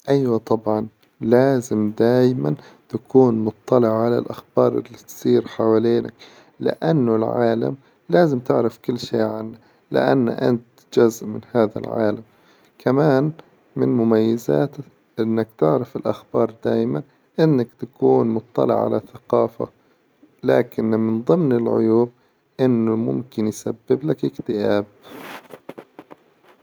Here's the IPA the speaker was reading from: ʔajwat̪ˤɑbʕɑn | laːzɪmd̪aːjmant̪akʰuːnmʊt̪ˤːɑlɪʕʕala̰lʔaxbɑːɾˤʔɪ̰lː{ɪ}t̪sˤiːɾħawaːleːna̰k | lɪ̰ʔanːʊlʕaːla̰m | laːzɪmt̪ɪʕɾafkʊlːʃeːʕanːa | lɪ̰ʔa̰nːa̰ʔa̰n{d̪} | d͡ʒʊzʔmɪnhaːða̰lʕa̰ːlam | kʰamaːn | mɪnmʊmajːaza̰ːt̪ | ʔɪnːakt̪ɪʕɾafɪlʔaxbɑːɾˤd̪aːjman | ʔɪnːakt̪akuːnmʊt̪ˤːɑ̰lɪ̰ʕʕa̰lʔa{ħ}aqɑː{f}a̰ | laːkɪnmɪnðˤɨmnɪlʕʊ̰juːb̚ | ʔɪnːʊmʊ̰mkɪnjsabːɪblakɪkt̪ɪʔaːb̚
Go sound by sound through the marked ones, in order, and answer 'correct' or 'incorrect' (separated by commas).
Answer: incorrect, incorrect, incorrect, correct